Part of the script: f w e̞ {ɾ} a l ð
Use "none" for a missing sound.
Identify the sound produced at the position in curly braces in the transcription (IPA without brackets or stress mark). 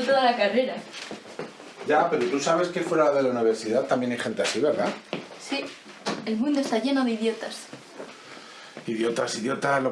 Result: ɾ